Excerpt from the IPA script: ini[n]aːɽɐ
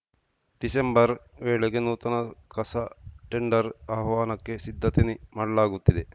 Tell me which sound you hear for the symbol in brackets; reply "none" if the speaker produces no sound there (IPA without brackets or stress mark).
m